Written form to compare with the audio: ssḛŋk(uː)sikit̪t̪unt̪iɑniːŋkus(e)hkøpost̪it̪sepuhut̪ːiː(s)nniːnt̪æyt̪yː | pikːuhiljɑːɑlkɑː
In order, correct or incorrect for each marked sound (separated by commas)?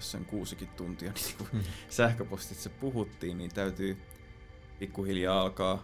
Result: correct, incorrect, incorrect